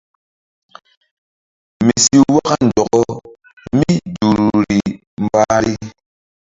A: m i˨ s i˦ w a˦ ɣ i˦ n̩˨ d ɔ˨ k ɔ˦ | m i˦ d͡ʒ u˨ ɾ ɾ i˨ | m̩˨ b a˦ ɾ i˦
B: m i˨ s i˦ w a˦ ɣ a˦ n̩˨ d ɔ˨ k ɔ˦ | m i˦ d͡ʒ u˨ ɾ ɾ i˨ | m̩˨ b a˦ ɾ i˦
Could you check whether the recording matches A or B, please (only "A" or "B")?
B